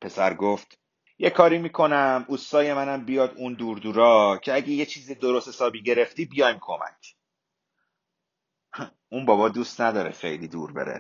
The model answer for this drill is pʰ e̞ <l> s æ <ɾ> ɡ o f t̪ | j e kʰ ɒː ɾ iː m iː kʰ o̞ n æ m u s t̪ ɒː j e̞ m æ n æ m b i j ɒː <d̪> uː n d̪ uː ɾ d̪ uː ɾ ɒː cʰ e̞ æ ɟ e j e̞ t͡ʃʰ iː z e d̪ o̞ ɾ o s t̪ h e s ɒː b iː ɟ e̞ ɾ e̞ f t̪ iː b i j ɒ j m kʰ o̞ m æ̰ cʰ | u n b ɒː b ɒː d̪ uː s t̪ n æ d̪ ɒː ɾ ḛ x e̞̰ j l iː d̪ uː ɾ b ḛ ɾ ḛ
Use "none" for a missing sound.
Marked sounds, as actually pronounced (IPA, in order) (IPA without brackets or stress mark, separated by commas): none, ɾ, d̪